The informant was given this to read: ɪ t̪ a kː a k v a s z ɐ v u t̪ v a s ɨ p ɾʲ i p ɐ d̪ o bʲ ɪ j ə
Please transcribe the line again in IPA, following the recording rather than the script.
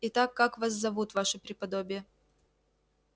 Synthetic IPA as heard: ɪ t̪ a kː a k v a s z ɐ v u t̪ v a ʂ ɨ p ɾʲ ɪ p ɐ d̪ o bʲ ɪ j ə